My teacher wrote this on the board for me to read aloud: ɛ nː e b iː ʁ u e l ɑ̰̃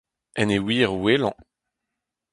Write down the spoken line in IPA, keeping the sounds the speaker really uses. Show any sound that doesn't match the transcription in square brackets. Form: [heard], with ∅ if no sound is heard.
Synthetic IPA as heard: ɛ [n] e [w] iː ʁ [w] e l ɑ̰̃

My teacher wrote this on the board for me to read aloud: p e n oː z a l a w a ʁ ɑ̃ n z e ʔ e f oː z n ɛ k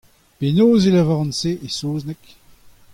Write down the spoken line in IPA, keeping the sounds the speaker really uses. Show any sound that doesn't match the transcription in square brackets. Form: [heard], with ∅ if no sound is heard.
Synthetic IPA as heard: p e n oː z [e] l a [v] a ʁ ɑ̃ n [s] e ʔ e [s] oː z n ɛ k

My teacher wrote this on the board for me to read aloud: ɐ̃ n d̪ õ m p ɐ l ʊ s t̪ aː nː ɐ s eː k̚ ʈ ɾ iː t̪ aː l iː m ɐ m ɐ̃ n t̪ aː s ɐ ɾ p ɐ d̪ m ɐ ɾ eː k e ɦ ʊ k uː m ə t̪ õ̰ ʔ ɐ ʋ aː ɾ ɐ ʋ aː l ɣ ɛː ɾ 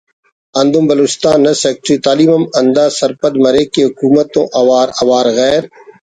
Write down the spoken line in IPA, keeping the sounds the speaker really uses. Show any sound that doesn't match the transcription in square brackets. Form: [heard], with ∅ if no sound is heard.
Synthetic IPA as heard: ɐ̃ n d̪ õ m [b] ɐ l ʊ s t̪ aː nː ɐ s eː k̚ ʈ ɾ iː t̪ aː l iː m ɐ m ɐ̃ n [d̪] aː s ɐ ɾ p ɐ d̪ m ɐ ɾ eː k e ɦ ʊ k uː m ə t̪ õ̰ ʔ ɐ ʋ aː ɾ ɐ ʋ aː [ɾ] ɣ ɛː ɾ

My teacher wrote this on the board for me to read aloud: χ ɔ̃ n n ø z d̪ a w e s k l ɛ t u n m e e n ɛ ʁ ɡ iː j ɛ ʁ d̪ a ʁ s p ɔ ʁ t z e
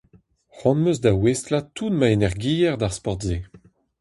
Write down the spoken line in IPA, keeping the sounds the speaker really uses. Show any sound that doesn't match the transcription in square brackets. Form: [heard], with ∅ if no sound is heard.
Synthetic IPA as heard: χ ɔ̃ n [m] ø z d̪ a w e s [t] l [a] t u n m [a] e n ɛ ʁ ɡ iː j ɛ ʁ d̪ a ʁ s p ɔ ʁ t z e

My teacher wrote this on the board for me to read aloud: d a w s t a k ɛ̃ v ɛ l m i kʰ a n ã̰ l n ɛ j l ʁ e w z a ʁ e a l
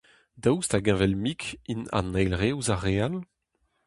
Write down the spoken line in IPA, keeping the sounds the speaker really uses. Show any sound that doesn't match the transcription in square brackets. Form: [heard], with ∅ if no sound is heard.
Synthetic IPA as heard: d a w s t a [ɡ] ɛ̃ v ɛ l m i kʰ [i] n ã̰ [∅] n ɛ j l ʁ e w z a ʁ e a l

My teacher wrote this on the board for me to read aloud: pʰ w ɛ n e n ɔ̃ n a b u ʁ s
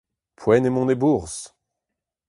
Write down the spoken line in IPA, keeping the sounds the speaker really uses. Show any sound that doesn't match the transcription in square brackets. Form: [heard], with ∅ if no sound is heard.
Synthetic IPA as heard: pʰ w ɛ n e [m] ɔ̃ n [e] b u ʁ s

